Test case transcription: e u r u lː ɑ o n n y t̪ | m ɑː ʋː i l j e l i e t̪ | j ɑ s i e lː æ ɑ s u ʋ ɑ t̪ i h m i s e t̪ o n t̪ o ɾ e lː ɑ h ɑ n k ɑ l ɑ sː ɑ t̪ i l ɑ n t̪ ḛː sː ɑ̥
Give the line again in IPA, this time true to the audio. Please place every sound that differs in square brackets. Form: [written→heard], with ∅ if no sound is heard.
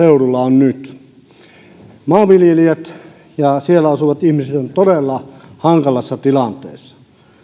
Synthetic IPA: e u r u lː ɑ o n n y t̪ | m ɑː [ʋː→ʋ] i l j e l i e t̪ | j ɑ s i e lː æ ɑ s u ʋ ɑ t̪ i h m i s e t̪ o n t̪ o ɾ e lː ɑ h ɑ [n→ŋ] k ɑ l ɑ sː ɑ t̪ i l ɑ n t̪ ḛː sː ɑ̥